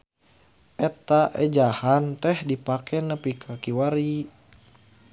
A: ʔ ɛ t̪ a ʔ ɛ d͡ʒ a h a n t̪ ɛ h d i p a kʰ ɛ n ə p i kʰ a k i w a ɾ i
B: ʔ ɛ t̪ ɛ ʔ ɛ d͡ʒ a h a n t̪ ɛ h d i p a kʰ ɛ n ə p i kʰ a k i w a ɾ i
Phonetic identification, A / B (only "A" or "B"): A